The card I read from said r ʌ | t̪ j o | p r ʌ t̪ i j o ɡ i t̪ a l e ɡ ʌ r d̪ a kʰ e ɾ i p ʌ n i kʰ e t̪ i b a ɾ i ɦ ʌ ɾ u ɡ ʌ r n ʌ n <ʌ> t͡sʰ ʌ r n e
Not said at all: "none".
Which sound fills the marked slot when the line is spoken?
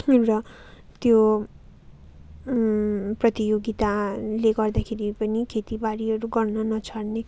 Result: ʌ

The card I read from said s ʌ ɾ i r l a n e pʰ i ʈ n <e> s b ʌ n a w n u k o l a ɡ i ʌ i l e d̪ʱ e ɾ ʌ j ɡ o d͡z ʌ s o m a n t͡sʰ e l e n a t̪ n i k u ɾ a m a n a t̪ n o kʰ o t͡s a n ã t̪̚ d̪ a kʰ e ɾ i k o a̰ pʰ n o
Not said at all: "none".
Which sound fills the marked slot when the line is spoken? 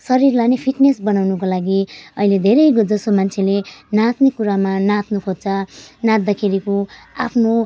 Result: e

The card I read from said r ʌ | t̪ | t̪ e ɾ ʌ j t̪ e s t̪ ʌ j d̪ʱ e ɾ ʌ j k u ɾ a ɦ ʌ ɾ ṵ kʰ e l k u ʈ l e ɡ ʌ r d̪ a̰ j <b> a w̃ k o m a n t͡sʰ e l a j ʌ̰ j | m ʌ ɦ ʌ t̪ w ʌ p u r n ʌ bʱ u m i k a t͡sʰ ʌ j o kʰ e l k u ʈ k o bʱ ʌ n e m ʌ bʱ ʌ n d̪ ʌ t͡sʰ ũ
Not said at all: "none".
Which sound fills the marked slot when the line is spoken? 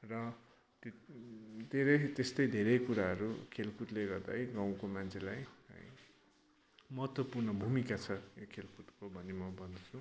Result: ɡ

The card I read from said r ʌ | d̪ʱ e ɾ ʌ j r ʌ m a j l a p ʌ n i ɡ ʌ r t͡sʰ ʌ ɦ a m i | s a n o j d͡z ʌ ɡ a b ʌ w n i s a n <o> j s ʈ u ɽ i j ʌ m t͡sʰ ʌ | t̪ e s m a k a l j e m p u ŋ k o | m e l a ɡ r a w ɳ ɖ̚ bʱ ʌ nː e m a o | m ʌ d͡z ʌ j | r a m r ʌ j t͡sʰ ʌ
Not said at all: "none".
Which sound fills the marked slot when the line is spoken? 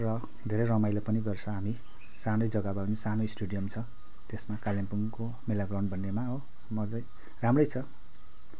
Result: o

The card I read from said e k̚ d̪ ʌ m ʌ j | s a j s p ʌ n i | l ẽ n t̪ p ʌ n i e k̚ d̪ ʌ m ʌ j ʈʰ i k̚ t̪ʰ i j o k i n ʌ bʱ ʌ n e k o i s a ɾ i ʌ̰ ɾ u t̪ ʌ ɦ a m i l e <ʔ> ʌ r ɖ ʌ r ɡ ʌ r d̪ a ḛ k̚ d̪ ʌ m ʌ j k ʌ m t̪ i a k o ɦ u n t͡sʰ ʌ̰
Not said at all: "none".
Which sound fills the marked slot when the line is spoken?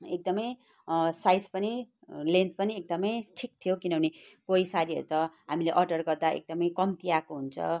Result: ʔ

